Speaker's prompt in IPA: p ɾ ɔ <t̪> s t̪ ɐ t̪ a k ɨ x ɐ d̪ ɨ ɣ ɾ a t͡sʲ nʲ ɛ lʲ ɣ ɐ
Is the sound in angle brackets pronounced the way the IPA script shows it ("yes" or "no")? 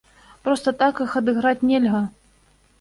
no